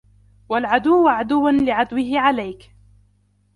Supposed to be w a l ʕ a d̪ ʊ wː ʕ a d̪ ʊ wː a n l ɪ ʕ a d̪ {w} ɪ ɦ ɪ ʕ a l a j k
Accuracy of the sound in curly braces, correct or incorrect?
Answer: correct